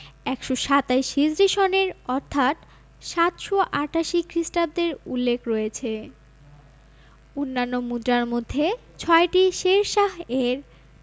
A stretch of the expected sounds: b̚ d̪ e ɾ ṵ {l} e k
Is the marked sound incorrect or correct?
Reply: incorrect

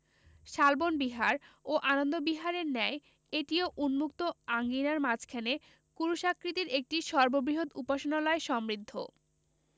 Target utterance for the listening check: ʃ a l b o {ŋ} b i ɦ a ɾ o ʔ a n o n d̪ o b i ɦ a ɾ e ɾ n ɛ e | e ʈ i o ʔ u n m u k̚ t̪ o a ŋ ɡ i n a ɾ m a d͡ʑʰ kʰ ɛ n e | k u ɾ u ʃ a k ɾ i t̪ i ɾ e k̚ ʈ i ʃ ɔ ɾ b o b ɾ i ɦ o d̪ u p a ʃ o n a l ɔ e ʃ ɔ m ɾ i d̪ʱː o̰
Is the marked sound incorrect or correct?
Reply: incorrect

